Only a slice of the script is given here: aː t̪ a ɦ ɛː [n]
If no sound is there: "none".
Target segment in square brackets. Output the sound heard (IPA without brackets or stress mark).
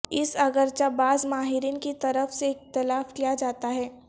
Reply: none